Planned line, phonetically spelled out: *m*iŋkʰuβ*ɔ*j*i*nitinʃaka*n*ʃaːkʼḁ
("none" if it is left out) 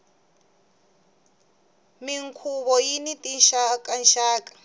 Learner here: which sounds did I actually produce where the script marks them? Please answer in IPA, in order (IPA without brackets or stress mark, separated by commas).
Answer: m, ɔ, i, n